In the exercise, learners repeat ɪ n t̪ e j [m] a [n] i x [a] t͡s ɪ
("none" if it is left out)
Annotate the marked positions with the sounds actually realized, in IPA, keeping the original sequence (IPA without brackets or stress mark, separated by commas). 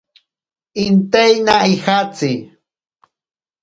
n, none, a